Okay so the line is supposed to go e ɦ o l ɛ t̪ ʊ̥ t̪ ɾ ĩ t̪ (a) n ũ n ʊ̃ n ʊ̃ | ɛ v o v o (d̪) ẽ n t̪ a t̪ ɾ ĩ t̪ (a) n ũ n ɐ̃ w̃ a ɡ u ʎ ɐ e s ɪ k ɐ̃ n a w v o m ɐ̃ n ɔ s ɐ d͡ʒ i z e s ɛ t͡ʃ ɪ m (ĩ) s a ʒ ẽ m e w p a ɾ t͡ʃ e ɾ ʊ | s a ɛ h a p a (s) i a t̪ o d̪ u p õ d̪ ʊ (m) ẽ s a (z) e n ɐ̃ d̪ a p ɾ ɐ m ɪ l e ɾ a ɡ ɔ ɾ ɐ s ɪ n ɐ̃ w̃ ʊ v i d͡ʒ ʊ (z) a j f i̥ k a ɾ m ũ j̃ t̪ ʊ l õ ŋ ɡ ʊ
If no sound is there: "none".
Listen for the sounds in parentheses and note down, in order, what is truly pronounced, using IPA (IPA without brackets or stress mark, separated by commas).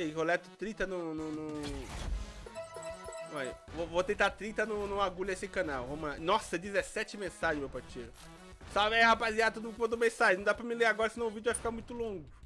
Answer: ɐ, t̪, ɐ, ẽ, z, m, ʒ, v